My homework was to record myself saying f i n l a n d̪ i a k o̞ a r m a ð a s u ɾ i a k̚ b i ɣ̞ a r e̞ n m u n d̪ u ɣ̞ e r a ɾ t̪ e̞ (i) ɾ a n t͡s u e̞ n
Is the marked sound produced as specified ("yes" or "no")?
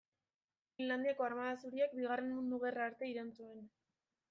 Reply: yes